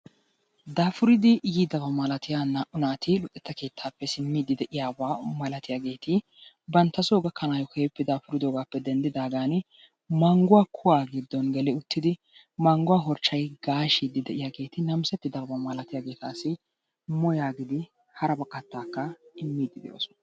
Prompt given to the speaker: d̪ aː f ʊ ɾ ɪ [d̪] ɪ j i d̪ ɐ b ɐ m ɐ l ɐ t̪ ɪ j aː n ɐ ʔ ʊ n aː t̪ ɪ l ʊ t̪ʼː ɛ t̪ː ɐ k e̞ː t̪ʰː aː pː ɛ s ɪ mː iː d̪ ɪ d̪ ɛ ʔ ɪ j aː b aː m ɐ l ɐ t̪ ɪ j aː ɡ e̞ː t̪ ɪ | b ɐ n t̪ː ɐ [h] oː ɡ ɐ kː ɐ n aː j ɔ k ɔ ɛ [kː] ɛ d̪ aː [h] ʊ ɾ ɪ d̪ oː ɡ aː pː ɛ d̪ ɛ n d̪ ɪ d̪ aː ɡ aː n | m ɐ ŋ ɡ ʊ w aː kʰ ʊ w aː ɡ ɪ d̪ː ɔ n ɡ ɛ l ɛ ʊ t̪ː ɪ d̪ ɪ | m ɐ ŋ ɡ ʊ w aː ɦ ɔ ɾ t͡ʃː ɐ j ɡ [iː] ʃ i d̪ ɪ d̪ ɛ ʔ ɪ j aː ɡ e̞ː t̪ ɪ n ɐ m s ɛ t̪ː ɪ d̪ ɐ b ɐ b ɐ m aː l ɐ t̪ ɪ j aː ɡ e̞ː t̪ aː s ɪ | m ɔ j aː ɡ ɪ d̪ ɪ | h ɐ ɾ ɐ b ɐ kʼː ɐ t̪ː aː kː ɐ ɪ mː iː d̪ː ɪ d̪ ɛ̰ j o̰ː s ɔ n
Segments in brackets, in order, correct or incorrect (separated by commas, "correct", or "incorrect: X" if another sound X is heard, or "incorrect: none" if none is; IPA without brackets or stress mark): correct, incorrect: s, incorrect: pː, incorrect: f, incorrect: aː